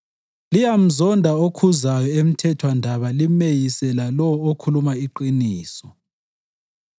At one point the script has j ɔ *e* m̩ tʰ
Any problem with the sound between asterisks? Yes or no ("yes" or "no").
no